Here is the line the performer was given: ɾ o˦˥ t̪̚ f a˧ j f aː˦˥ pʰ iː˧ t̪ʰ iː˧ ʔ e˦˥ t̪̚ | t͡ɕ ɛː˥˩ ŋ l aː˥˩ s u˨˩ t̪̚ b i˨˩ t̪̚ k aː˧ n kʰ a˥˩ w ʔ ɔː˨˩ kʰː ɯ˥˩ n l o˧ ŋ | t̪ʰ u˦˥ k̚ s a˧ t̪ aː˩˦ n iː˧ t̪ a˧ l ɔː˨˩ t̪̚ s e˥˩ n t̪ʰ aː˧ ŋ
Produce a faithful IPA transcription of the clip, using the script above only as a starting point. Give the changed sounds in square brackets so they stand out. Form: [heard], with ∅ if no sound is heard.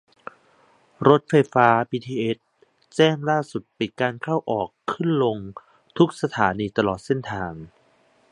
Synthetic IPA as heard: ɾ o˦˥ t̪̚ f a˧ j f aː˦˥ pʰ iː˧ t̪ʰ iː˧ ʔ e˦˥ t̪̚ | t͡ɕ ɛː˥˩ ŋ l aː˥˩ s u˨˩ t̪̚ [p] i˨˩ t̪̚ k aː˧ n kʰ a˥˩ w ʔ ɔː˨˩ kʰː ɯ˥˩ n l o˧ ŋ | t̪ʰ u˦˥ k̚ s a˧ [t̪ʰ] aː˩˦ n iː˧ t̪ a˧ l ɔː˨˩ t̪̚ s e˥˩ n t̪ʰ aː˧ ŋ